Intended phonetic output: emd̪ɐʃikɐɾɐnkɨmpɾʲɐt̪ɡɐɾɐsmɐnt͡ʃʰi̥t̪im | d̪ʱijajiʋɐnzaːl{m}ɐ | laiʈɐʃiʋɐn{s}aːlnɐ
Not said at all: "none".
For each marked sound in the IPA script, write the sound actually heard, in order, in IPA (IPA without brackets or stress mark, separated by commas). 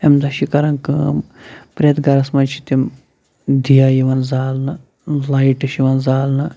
n, z